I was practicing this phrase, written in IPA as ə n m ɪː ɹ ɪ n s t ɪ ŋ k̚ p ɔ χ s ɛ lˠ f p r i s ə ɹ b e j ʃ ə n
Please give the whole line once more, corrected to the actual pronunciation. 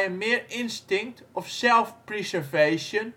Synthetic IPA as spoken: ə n m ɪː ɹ ɪ n s t ɪ ŋ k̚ t ɔ f s ɛ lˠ f p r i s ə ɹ v e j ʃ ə n